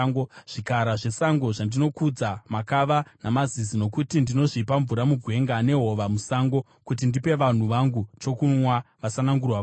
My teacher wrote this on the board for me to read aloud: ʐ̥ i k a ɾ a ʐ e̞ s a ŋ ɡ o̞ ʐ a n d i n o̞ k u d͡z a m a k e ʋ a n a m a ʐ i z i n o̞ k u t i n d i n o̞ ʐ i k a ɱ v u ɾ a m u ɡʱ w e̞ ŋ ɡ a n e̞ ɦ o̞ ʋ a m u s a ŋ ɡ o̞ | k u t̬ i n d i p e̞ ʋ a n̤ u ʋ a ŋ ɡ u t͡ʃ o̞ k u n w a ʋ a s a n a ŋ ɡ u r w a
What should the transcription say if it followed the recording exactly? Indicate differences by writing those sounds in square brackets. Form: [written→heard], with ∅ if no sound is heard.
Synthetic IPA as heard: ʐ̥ i k a ɾ a ʐ e̞ s a ŋ ɡ o̞ ʐ a n d i n o̞ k u d͡z a m a k [e→a] ʋ a n a m a [ʐ→z] i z i n o̞ k u t i n d i n o̞ ʐ i [k→p] a ɱ v u ɾ a m u ɡʱ w e̞ ŋ ɡ a n e̞ ɦ o̞ ʋ a m u s a ŋ ɡ o̞ | k u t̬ i n d i p e̞ ʋ a n̤ u ʋ a ŋ ɡ u t͡ʃ o̞ k u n w a ʋ a s a n a ŋ ɡ u r w a